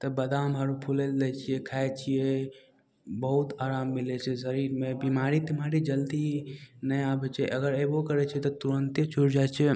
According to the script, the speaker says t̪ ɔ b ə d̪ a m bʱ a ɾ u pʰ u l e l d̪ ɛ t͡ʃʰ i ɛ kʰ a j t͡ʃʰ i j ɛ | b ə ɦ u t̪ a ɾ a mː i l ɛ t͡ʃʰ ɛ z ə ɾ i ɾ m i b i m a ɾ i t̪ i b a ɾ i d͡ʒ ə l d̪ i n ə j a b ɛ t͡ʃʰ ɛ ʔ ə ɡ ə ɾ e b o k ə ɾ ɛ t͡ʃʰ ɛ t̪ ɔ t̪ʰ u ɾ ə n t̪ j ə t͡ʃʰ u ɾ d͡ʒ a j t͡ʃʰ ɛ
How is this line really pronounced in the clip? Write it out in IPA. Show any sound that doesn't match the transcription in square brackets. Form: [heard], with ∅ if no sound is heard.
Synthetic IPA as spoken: t̪ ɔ b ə d̪ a m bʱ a ɾ u pʰ u l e l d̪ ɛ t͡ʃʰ i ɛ kʰ a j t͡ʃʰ i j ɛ | b ə ɦ u t̪ a ɾ a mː i l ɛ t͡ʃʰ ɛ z ə ɾ i ɾ m [e] b i m a ɾ i t̪ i [m] a ɾ i d͡ʒ ə l d̪ i n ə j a b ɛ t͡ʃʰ ɛ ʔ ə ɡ ə ɾ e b o k ə ɾ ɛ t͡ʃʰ ɛ t̪ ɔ [t̪] u ɾ ə n t̪ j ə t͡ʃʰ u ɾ d͡ʒ a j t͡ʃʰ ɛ